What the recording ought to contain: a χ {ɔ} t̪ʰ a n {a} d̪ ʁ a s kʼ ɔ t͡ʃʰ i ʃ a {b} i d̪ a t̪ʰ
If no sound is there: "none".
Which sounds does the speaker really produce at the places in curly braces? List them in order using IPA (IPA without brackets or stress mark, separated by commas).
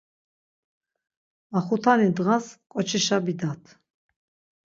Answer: u, i, b